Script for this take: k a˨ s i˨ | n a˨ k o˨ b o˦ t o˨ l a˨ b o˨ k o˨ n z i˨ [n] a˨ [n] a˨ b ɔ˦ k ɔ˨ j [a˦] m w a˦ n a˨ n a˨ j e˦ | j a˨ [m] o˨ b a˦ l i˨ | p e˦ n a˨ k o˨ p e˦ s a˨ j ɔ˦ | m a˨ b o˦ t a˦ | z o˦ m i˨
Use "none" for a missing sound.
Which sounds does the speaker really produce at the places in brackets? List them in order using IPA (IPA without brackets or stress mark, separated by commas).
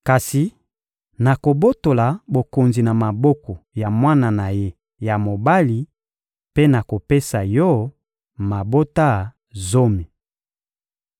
n, m, a˨, m